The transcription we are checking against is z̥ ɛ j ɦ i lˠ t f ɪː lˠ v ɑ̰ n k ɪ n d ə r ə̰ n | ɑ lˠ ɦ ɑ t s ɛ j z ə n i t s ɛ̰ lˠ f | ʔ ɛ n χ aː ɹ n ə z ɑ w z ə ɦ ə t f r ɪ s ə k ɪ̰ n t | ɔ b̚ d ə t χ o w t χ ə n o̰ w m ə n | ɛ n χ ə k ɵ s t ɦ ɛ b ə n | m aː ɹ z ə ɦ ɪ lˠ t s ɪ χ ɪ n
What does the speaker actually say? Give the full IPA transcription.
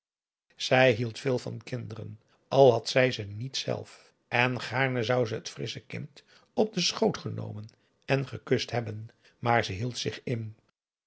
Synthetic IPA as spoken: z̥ ɛ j ɦ i lˠ t f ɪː lˠ v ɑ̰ n k ɪ n d ə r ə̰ n | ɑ lˠ ɦ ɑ t s ɛ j z ə n i t s ɛ̰ lˠ f | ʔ ɛ n χ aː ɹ n ə z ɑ w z ə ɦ ə t f r ɪ s ə k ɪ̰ n t | ɔ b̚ d ə s χ o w t χ ə n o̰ w m ə n | ɛ n χ ə k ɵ s t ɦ ɛ b ə n | m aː ɹ z ə ɦ i lˠ t s ɪ χ ɪ n